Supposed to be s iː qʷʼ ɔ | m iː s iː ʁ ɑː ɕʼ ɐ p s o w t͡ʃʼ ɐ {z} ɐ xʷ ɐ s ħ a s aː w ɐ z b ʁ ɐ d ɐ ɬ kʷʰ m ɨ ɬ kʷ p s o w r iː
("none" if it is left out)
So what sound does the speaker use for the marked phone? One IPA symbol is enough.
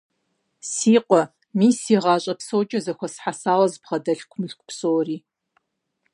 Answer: z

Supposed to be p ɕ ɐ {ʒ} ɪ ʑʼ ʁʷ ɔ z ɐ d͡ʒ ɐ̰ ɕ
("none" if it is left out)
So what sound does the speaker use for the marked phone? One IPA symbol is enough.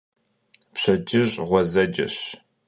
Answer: d͡ʒ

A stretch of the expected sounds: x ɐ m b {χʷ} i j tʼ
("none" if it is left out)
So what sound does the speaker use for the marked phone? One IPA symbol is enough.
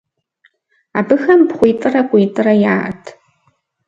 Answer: χʷ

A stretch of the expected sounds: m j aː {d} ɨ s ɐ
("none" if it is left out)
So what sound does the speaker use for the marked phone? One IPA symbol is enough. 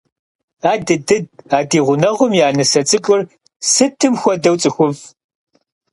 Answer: n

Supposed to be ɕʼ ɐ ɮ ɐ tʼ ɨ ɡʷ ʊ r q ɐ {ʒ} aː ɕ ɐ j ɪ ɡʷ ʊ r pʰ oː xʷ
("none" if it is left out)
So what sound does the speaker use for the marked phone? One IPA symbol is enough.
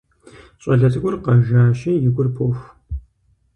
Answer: ʒ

